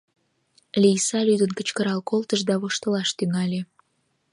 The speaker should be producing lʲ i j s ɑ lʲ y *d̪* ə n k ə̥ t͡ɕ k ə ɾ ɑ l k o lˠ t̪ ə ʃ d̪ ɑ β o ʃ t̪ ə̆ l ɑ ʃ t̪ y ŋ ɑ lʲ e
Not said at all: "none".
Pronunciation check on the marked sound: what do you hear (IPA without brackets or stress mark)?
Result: d̪